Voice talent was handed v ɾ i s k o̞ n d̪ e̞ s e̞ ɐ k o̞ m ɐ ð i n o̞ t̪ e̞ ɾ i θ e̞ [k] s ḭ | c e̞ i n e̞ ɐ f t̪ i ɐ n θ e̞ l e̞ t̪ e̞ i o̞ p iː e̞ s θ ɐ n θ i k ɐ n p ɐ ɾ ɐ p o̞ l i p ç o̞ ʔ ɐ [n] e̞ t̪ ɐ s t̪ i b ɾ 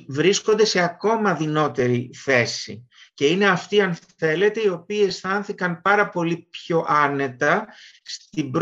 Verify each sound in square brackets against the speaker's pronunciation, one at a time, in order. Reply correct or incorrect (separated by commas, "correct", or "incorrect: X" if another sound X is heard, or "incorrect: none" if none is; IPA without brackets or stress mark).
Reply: incorrect: none, correct